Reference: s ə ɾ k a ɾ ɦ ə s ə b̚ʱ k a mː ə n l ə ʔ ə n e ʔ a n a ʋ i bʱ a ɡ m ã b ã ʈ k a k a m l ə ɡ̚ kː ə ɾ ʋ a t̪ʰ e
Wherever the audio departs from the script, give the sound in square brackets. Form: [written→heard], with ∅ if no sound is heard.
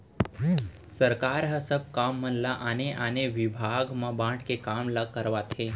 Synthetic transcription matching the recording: s ə ɾ k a ɾ ɦ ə s ə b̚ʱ k a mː ə n l [ə→a] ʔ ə n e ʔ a n [a→e] ʋ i bʱ a ɡ m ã b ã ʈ k [a→e] k a m l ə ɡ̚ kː ə ɾ ʋ a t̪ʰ e